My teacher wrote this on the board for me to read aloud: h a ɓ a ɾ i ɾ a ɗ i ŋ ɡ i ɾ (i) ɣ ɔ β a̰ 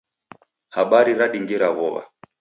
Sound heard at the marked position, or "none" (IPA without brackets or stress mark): a